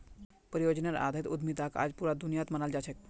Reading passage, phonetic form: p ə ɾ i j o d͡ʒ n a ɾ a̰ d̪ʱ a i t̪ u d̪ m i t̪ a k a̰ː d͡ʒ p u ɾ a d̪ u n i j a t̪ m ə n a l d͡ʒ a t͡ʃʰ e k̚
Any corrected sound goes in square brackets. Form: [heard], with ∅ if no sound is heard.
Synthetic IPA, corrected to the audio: p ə ɾ i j o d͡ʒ n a ɾ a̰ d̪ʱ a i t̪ u d̪ m i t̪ a k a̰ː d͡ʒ p u ɾ a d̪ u n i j a t̪ m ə n a l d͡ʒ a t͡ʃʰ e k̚